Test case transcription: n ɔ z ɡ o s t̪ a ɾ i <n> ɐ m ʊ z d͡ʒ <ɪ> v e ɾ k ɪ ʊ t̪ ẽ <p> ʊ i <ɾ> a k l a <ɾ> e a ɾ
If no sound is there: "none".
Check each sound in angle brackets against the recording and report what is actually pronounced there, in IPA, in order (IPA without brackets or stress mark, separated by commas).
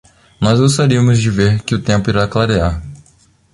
none, ɪ, p, ɾ, ɾ